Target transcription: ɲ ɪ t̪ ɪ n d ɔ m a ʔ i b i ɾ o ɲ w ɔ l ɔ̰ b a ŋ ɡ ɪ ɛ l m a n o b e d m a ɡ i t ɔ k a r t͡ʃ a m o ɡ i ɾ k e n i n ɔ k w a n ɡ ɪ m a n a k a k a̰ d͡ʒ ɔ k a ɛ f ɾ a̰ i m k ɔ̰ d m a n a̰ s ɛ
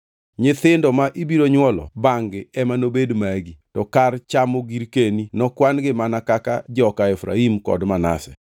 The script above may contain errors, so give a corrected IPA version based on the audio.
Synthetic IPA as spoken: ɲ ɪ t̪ ɪ n d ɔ m a ʔ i b i ɾ o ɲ w ɔ l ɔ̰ b a ŋ ɡ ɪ ɛ m a n o b e d m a ɡ i t ɔ k a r t͡ʃ a m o ɡ i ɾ k e n i n ɔ k w a n ɡ ɪ m a n a k a k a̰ d͡ʒ ɔ k a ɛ f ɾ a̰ i m k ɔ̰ d m a n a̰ s ɛ

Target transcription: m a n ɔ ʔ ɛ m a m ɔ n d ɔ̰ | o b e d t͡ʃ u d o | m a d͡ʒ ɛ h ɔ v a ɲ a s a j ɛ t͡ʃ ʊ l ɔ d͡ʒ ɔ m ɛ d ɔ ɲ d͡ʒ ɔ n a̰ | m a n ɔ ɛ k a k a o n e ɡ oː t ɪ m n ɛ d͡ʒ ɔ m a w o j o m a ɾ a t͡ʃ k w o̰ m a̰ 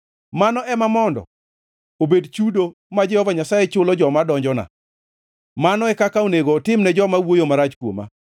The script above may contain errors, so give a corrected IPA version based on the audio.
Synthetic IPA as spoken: m a n ɔ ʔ ɛ m a m ɔ n d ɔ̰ | o b e d t͡ʃ u d o | m a d͡ʒ ɛ h ɔ v a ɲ a s a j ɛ t͡ʃ ʊ l ɔ d͡ʒ ɔ m a d ɔ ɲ d͡ʒ ɔ n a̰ | m a n ɔ ɛ k a k a o n e ɡ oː t ɪ m n ɛ d͡ʒ ɔ m a w o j o m a ɾ a t͡ʃ k w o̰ m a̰

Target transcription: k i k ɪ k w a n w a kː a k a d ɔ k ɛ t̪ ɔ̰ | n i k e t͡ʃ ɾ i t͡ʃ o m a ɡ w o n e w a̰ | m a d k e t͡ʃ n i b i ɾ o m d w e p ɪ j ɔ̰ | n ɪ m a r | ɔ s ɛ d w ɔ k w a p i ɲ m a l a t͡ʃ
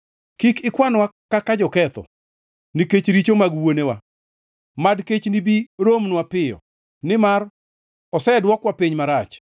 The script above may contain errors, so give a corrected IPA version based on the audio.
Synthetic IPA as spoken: k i k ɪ k w a n w a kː a k a d͡ʒ ɔ k ɛ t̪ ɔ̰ | n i k e t͡ʃ ɾ i t͡ʃ o m a ɡ w o n e w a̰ | m a d k e t͡ʃ n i b i ɾ o m n w a p ɪ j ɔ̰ | n ɪ m a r | ɔ s ɛ d w ɔ k w a p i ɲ m a ɾ a t͡ʃ

